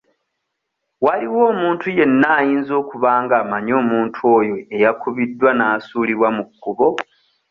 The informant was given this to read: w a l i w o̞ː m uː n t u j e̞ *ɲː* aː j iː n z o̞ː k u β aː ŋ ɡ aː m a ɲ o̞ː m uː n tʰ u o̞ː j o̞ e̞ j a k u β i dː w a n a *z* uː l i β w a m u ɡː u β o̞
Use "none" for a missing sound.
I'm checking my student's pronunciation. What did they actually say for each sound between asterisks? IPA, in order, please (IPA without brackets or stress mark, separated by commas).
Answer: nː, s